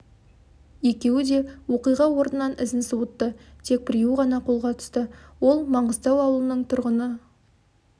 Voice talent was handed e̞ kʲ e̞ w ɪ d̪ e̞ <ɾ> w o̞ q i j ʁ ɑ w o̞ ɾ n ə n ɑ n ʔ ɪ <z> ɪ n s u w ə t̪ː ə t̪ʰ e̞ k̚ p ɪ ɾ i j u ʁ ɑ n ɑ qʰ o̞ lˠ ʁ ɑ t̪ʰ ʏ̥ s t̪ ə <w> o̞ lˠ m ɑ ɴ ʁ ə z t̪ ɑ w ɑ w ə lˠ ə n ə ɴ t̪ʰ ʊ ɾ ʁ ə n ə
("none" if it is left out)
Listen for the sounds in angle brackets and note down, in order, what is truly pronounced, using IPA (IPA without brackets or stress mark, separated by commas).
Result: none, z, w